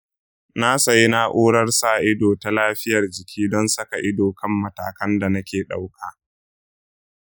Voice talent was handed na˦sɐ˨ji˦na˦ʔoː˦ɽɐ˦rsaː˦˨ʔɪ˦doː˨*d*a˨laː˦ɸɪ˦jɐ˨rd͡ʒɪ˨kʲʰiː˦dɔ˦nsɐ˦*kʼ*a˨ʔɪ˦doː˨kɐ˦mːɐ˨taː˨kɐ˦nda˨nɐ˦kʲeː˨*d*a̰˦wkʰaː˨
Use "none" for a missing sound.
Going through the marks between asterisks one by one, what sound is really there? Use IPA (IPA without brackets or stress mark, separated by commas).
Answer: t, k, ɗ